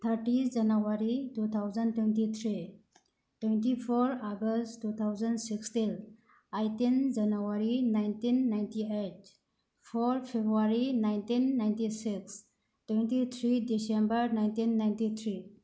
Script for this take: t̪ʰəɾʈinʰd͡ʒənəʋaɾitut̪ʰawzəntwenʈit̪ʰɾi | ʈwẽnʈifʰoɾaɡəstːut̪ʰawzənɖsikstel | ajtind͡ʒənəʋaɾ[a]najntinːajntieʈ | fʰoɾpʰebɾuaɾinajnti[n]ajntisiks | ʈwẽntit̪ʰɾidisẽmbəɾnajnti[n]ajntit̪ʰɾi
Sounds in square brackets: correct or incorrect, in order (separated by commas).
incorrect, incorrect, incorrect